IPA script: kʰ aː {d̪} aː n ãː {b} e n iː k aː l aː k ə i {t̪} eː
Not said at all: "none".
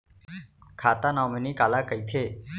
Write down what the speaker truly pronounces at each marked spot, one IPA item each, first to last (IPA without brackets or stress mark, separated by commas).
t̪, m, t̪ʰ